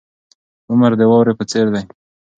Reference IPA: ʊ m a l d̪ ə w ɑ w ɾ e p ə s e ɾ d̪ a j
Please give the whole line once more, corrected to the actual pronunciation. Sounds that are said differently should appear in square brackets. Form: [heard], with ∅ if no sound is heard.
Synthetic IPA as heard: ʊ m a [ɾ] d̪ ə w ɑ w ɾ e p ə [t͡s] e ɾ d̪ a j